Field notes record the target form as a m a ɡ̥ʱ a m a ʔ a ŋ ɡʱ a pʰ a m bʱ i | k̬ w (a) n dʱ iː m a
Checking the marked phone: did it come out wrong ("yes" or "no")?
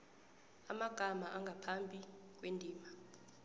yes